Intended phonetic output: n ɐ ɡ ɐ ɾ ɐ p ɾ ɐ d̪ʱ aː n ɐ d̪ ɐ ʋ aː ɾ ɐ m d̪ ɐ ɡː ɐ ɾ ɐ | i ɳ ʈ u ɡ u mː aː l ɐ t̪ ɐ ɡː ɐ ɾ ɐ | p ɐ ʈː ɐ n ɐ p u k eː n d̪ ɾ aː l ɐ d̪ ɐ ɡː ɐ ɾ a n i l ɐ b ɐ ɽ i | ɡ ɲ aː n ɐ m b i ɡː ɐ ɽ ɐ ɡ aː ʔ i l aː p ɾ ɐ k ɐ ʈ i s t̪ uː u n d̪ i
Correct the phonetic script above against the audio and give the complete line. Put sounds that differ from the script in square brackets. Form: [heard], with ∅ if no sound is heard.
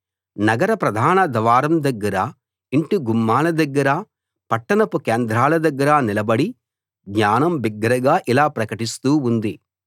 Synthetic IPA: n ɐ ɡ ɐ ɾ ɐ p ɾ ɐ d̪ʱ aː n ɐ d̪ ɐ ʋ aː ɾ ɐ m d̪ ɐ ɡː ɐ ɾ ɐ | i ɳ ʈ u ɡ u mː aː l ɐ [d̪] ɐ ɡː ɐ ɾ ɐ | p ɐ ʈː ɐ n ɐ p u k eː n d̪ ɾ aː l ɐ d̪ ɐ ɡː ɐ ɾ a n i l ɐ b ɐ ɽ i | ɡ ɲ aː n ɐ m b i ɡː ɐ [ɾ] ɐ ɡ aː ʔ i l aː p ɾ ɐ k ɐ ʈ i s t̪ uː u n d̪ i